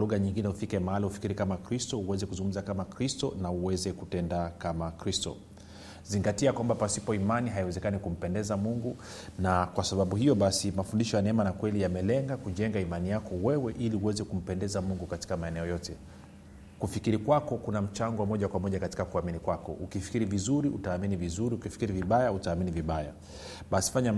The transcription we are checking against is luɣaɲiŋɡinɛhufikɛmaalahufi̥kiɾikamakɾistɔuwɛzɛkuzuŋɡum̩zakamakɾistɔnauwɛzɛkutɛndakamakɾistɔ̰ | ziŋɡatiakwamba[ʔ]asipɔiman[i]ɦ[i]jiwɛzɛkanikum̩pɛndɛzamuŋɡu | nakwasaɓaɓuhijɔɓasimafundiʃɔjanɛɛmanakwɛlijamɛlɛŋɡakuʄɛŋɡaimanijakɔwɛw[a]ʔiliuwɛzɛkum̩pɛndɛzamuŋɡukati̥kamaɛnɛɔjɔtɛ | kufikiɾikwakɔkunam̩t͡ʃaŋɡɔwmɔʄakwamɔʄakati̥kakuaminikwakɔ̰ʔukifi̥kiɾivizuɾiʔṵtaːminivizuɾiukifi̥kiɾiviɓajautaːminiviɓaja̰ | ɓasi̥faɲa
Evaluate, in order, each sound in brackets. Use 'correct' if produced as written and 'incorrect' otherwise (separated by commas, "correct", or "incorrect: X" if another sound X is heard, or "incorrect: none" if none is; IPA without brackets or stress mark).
incorrect: p, correct, incorrect: a, incorrect: ɛ